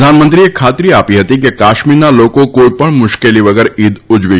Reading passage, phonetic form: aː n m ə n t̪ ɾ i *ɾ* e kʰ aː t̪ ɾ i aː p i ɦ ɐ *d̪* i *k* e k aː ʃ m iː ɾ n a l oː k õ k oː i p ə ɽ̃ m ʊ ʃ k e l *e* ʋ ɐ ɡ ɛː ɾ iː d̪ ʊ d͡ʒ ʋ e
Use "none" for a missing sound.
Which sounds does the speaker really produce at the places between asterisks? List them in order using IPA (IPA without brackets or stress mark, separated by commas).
none, t̪, k, i